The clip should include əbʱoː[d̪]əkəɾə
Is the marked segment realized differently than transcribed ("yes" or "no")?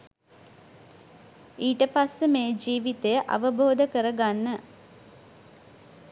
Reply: no